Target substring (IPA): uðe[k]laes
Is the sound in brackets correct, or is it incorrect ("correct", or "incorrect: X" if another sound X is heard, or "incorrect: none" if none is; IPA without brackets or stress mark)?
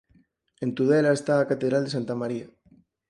incorrect: none